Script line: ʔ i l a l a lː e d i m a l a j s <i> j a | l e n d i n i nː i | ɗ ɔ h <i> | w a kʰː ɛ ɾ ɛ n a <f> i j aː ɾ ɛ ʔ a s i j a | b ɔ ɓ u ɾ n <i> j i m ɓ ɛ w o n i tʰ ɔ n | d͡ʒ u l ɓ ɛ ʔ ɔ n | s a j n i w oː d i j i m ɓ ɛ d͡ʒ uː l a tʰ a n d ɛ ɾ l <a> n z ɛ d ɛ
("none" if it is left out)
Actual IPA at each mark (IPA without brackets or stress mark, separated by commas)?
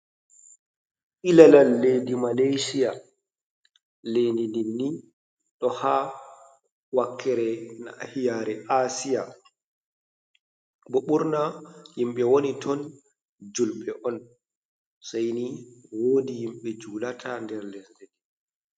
i, a, h, a, ɛ